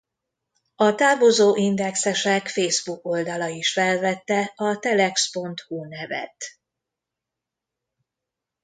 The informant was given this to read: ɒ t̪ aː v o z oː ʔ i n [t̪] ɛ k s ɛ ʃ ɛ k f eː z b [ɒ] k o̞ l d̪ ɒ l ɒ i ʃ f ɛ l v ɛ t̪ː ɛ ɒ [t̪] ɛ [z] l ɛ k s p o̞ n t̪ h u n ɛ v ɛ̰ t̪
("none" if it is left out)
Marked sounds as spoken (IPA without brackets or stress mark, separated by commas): d̪, u, t̪, none